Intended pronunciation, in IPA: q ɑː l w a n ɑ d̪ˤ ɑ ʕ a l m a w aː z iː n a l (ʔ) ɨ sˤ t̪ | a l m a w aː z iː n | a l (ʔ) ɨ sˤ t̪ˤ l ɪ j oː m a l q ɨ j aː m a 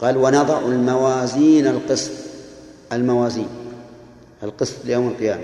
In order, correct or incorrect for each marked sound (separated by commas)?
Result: incorrect, incorrect